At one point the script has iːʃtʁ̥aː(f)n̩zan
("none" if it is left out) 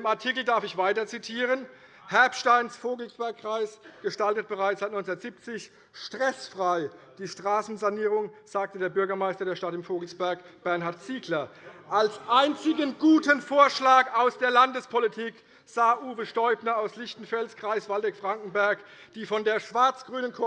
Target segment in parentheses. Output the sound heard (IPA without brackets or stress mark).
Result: s